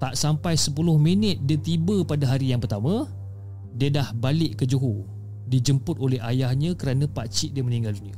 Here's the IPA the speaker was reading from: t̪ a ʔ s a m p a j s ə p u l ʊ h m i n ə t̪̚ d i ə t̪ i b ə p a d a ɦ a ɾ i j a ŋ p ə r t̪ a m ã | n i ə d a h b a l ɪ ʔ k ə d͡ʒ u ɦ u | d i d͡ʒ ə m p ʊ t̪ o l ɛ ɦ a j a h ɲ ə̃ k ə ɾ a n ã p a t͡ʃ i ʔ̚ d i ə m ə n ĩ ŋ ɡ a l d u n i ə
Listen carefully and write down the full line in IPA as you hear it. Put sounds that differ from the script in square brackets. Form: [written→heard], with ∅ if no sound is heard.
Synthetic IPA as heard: t̪ a ʔ s a m p a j s ə p u l ʊ h m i n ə t̪̚ d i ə t̪ i b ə p a d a ɦ a ɾ i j a ŋ p ə r t̪ a m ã | [n→d] i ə d a h b a l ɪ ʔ k ə d͡ʒ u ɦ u | d i d͡ʒ ə m p ʊ t̪ o l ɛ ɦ a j a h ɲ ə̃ k ə ɾ a n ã p a t͡ʃ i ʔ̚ d i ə m ə n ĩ ŋ ɡ a l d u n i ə